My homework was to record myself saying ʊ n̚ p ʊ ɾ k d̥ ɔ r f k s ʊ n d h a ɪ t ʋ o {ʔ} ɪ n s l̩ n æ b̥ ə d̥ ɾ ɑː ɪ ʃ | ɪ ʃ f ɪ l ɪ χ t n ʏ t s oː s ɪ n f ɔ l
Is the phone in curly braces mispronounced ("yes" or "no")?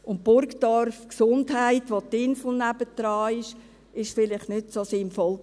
yes